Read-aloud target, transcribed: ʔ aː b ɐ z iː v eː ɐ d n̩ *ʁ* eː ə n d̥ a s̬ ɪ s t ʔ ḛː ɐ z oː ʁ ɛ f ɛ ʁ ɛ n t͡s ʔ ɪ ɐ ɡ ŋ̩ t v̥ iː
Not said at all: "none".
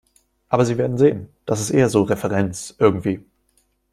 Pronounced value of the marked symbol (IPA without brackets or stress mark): z